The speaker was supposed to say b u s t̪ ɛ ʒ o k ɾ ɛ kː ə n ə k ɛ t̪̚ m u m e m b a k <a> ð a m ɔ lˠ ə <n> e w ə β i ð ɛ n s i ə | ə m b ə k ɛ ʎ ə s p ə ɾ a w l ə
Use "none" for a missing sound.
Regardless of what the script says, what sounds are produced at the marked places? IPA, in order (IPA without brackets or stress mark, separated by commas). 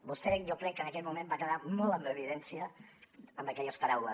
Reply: ə, m